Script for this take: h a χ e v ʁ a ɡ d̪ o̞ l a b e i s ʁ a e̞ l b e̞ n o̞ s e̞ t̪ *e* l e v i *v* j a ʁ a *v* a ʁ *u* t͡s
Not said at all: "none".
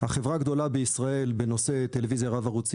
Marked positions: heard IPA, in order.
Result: e, z, v, u

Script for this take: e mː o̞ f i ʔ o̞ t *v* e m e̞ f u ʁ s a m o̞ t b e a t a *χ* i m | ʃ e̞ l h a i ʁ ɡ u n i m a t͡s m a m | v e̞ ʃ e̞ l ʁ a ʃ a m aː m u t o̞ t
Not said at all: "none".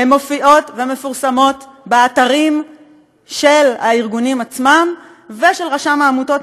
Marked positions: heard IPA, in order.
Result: v, ʁ

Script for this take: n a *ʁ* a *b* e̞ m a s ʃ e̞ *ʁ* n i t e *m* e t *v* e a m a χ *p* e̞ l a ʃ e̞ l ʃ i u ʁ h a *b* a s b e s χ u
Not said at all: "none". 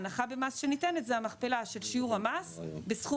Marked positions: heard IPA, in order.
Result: χ, b, none, n, z, p, m

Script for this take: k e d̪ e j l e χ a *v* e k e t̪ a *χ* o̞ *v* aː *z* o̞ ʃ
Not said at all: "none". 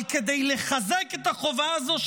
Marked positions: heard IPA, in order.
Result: z, χ, v, z

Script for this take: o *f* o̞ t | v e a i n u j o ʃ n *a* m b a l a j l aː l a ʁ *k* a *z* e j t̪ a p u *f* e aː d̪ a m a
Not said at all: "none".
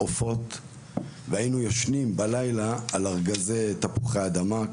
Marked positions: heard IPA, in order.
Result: f, i, ɡ, z, χ

